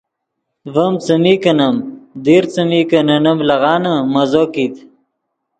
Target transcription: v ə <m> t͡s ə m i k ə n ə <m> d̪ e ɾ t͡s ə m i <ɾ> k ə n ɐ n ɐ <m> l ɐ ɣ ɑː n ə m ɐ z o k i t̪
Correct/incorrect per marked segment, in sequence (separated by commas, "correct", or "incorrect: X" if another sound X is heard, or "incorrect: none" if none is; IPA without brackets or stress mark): correct, correct, incorrect: none, correct